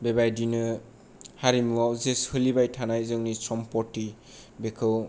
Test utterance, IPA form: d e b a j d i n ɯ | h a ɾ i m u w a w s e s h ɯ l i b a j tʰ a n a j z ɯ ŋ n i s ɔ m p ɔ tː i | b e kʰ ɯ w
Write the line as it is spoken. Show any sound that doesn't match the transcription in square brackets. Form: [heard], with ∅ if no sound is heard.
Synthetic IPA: [b] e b a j d i n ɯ | h a ɾ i m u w a w [z] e s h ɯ l i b a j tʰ a n a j z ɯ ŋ n i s ɔ m p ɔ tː i | b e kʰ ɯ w